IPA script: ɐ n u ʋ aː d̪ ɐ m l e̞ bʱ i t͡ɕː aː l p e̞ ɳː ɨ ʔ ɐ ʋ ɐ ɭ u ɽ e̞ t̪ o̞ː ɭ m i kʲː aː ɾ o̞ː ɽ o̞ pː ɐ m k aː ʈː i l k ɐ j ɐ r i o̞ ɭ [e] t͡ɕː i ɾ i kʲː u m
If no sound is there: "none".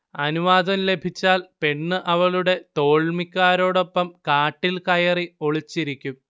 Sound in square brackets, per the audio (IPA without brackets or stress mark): i